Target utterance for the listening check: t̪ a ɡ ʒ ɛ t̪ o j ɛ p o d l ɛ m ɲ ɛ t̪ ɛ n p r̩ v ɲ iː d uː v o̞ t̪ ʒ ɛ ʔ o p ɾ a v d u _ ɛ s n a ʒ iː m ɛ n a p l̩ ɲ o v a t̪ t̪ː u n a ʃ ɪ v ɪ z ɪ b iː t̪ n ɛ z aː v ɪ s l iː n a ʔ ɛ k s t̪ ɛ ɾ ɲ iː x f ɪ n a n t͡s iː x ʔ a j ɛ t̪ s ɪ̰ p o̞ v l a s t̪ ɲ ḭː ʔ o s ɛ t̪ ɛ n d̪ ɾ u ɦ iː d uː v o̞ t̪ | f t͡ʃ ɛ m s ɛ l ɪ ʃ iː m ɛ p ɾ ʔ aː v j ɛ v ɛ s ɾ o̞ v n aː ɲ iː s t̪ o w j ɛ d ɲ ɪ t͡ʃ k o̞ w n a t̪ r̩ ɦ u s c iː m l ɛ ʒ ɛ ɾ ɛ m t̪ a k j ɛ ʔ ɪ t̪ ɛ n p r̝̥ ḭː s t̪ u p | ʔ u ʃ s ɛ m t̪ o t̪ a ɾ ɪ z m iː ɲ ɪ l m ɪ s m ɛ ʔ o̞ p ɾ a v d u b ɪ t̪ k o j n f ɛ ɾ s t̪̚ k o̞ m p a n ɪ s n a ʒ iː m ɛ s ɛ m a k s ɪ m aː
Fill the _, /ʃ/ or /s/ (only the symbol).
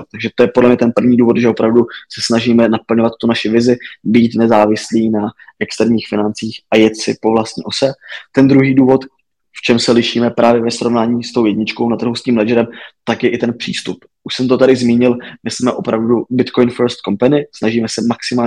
s